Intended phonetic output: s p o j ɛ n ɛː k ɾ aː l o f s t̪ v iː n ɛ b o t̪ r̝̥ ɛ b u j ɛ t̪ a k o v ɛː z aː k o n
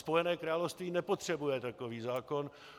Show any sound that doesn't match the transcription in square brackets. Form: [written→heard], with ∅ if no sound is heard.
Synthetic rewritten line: s p o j ɛ n ɛː k ɾ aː l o f s t̪ v iː n ɛ [b→p] o t̪ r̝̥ ɛ b u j ɛ t̪ a k o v [ɛː→iː] z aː k o n